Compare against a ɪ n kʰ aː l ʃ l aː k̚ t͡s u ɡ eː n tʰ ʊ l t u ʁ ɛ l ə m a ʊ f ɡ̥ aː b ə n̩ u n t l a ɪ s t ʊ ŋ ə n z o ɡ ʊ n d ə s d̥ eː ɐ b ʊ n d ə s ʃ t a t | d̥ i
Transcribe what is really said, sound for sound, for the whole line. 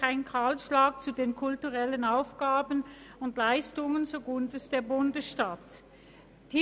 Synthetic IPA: a ɪ n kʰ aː l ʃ l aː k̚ t͡s u d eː n kʰ ʊ l t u ʁ ɛ l ə n a ʊ f ɡ̥ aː b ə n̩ ʊ n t l a ɪ s t ʊ ŋ ə n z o ɡ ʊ n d ə s d̥ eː ɐ b ʊ n d ə s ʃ t a t | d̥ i